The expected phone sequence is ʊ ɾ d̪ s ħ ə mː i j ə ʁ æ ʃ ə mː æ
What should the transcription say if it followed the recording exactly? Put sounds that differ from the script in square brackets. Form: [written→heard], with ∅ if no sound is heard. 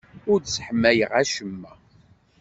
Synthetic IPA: ʊ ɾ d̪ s ħ ə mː [i→æ] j ə ʁ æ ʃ ə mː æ

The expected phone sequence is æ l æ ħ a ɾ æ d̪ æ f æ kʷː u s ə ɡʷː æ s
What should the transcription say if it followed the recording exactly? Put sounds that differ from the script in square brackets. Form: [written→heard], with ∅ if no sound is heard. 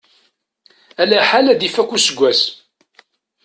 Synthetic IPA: æ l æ ħ a [ɾ→l] æ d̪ [æ→i] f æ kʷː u s ə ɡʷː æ s

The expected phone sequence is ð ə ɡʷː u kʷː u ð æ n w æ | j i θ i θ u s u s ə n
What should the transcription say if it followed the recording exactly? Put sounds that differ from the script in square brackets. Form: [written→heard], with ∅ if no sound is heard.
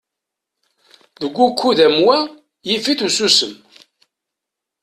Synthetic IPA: ð ə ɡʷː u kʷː u ð æ [n→m] w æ | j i [θ→f] i θ u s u s ə [n→m]

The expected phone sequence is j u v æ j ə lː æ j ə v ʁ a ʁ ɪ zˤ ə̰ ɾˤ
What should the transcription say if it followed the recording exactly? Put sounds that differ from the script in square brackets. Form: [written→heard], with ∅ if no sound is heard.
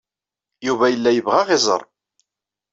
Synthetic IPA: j u v æ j ə lː æ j ə v ʁ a ʁ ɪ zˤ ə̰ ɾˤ

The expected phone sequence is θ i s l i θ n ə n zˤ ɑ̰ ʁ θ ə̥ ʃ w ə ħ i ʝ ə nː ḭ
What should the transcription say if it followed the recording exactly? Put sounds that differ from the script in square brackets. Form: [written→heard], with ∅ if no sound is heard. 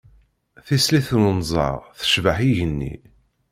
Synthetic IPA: θ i s l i θ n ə n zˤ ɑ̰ ʁ θ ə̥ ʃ [w→v] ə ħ i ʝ ə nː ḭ

